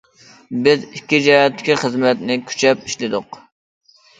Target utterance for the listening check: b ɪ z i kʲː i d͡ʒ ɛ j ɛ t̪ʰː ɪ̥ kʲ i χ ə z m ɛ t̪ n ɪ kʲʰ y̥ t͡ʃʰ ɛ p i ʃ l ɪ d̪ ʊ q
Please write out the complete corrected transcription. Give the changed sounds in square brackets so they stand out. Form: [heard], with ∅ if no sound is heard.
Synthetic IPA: b ɪ z i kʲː i d͡ʒ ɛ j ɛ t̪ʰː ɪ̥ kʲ i χ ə z m ɛ t̪ n ɪ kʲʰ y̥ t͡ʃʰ ɛ p i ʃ l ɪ d̪ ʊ q